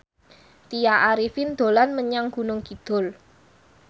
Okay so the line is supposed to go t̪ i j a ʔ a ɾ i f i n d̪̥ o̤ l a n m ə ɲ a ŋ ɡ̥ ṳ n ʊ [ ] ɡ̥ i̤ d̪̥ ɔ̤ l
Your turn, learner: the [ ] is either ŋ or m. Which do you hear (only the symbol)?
ŋ